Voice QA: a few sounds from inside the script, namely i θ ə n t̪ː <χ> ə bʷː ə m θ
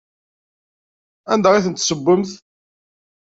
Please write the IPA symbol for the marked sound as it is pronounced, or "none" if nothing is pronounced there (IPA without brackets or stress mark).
s